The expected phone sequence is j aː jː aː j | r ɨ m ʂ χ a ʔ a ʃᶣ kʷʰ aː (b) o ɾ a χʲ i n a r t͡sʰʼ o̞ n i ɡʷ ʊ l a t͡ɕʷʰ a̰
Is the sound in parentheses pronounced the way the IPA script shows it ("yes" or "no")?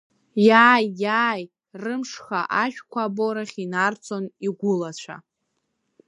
yes